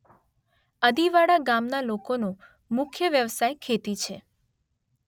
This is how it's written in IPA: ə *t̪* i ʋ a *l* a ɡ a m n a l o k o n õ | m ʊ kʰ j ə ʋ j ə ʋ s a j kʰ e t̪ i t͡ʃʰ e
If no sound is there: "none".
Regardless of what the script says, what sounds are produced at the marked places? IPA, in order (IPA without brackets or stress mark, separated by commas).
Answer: d̪, ɽ